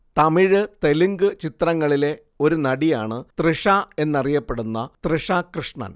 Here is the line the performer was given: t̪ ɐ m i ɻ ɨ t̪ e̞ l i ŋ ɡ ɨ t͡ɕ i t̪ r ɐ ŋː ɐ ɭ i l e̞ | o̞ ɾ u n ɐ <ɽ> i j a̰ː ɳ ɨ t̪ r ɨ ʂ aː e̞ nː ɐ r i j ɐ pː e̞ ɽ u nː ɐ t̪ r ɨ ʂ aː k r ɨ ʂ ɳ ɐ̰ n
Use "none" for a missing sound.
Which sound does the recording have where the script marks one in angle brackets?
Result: ɽ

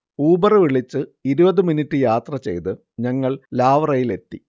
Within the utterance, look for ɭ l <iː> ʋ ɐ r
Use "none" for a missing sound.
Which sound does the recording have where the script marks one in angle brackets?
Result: aː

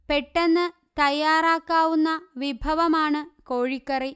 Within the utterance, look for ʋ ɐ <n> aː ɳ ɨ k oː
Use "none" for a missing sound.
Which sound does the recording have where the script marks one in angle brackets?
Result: m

